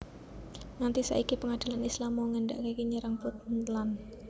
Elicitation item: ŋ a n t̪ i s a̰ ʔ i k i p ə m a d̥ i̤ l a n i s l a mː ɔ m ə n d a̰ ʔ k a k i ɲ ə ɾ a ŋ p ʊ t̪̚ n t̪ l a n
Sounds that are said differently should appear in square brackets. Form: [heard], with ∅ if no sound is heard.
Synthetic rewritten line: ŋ a n t̪ i s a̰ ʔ i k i p ə [ŋ] a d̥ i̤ l a n i s l a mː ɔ [ŋ] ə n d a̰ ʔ k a k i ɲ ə ɾ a ŋ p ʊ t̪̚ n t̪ l a n